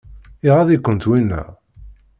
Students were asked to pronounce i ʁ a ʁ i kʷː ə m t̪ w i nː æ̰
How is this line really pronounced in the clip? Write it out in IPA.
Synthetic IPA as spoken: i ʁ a ð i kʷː ə n t̪ w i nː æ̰